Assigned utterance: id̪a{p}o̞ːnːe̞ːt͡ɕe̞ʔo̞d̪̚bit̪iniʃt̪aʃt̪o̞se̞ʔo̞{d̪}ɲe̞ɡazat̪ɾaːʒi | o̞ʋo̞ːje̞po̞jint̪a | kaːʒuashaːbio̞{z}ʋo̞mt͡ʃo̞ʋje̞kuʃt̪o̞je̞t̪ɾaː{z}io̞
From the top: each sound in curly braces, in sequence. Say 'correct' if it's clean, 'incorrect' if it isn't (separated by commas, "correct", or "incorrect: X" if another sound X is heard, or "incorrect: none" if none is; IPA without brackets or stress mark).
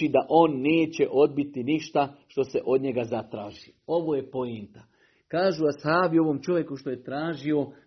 incorrect: ʔ, correct, incorrect: none, incorrect: ʒ